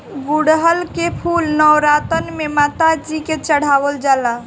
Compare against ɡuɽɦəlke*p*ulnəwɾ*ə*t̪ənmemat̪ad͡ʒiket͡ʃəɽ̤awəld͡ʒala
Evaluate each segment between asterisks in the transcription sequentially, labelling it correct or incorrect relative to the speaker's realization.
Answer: incorrect: pʰ, incorrect: a

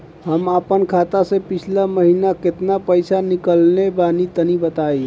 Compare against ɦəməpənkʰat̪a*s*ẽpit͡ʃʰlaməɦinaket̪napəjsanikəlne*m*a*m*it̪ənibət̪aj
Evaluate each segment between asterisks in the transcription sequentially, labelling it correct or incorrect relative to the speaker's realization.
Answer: correct, incorrect: b, incorrect: n

